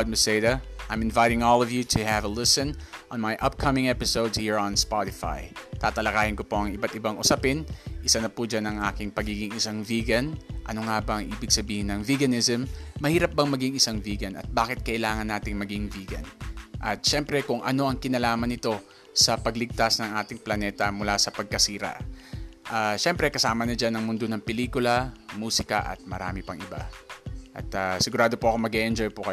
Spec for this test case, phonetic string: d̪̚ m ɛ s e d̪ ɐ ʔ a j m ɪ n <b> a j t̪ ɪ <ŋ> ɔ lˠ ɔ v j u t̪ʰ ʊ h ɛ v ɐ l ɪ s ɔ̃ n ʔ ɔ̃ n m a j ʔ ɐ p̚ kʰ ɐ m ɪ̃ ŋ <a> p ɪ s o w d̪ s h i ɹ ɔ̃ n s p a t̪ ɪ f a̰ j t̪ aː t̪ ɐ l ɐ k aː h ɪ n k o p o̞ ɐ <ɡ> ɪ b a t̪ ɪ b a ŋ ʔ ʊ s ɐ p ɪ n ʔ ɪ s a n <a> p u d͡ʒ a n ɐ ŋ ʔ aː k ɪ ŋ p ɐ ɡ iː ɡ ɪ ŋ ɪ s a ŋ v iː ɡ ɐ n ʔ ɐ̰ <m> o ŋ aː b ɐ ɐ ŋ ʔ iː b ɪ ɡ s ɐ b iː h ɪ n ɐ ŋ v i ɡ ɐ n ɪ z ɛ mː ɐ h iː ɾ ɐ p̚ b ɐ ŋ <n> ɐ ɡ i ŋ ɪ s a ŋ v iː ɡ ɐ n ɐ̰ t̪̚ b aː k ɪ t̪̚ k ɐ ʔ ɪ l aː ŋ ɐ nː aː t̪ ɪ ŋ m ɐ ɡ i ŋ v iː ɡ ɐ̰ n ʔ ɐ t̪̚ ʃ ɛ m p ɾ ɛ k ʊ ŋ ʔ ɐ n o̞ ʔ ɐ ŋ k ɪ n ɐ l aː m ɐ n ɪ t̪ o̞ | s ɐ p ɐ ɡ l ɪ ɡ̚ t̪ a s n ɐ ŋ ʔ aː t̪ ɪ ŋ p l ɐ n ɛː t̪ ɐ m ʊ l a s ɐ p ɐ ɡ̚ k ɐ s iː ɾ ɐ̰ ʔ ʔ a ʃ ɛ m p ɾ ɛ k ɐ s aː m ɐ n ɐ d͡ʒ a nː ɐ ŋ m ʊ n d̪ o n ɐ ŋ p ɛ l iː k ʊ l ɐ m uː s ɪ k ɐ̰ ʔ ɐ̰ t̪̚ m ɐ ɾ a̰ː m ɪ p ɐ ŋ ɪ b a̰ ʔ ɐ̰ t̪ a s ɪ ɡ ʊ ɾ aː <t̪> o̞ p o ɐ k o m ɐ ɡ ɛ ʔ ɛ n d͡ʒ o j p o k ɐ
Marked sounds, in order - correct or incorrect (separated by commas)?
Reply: incorrect, correct, incorrect, incorrect, incorrect, incorrect, incorrect, incorrect